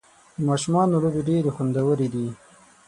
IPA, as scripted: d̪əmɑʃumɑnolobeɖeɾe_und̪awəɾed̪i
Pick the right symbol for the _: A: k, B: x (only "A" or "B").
B